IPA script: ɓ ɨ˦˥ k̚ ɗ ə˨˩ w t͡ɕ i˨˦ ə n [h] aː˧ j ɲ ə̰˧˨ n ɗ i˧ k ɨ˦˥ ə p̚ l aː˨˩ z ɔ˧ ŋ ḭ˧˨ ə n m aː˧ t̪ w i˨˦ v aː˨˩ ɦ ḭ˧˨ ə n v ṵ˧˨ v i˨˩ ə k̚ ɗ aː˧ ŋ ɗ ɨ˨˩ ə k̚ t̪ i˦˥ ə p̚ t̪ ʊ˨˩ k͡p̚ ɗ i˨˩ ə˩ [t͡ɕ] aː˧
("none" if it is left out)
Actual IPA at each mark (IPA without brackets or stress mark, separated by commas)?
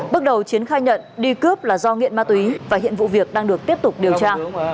x, t͡ɕ